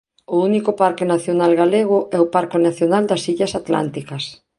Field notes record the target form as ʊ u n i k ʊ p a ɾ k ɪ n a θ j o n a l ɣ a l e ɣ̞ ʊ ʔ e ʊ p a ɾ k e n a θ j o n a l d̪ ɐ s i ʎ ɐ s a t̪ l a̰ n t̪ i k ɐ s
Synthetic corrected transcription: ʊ u n i k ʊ p a ɾ k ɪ n a θ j o n a l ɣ a l e ɣ̞ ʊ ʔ ɛ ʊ p a ɾ k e n a θ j o n a l d̪ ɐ s i ʎ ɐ s a t̪ l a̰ n t̪ i k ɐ s